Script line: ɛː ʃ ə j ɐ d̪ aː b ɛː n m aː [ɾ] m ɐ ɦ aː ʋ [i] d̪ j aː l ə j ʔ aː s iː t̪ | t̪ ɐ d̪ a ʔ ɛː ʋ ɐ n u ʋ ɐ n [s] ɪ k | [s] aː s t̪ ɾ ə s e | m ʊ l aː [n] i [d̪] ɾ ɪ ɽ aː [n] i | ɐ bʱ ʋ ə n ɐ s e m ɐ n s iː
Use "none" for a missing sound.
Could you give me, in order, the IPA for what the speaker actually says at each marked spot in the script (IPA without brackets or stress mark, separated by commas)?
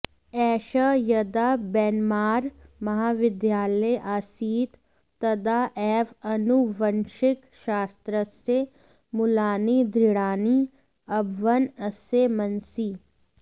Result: ɾ, ɪ, ʃ, ʃ, n, d̪, n